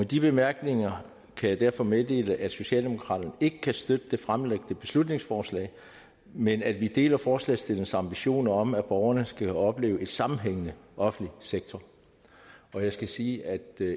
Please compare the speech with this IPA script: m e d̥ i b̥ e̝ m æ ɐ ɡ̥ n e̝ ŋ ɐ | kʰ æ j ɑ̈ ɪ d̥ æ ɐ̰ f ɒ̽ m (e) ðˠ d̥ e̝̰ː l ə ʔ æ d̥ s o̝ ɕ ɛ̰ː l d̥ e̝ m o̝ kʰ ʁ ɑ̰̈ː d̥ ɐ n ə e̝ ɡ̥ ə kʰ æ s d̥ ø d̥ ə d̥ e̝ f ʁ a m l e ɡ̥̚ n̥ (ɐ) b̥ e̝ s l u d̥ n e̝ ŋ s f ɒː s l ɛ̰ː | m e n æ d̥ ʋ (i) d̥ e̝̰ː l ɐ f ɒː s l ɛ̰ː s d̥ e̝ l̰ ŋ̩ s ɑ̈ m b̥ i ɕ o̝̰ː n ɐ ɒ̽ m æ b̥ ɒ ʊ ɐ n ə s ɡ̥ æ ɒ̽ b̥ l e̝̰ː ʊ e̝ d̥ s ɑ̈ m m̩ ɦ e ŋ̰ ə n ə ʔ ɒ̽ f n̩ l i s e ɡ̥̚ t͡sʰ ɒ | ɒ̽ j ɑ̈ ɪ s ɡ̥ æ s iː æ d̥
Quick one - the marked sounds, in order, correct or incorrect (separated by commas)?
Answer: correct, incorrect, correct